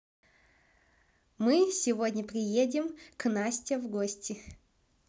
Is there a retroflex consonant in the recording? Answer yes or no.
no